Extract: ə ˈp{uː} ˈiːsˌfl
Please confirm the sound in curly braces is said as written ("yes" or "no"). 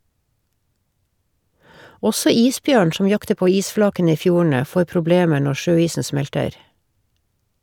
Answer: no